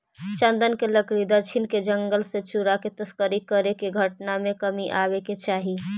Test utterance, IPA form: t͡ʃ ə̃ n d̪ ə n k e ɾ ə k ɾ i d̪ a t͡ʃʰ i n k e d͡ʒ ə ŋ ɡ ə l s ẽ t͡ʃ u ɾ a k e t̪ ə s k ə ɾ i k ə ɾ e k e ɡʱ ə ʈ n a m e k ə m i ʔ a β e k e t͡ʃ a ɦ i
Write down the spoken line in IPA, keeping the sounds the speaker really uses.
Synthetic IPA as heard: t͡ʃ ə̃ n d̪ ə n k e l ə k ɾ i d̪ a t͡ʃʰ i n k e d͡ʒ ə ŋ ɡ ə l s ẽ t͡ʃ u ɾ a k e t̪ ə s k ə ɾ i k ə ɾ e k e ɡʱ ə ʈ n a m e k ə m i ʔ a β e k e t͡ʃ a ɦ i